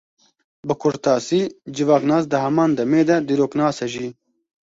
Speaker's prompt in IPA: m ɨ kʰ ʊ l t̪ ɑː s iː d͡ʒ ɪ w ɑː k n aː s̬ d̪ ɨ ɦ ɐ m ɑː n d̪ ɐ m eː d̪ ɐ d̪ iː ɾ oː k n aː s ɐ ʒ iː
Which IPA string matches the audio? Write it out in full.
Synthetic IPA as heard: b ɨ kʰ ʊ ɾ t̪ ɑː s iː d͡ʒ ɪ v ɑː k n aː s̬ d̪ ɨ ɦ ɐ m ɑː n d̪ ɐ m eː d̪ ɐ d̪ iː ɾ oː k n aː s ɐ ʒ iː